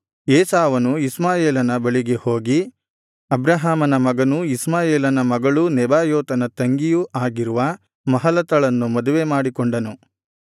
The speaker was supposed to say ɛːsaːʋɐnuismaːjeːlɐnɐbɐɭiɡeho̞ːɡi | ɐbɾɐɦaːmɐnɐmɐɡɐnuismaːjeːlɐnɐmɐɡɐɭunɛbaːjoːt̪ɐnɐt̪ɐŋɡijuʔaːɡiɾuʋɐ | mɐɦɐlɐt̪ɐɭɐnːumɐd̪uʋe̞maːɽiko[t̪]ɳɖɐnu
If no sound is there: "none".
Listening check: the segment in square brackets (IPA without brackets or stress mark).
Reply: none